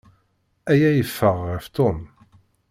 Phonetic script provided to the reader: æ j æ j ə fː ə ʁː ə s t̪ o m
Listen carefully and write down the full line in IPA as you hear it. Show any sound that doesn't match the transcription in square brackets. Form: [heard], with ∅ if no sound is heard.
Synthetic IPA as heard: æ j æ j ə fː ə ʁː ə [f] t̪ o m